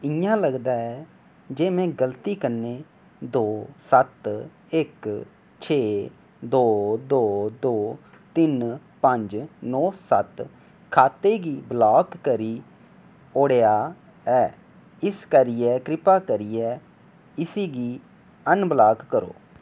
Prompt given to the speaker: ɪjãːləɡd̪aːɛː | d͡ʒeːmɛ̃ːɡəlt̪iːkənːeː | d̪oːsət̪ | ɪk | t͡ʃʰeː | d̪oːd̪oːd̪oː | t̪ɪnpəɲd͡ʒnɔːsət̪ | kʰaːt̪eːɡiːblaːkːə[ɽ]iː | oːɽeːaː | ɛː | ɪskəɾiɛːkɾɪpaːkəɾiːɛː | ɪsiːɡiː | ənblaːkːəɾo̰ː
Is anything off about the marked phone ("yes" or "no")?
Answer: yes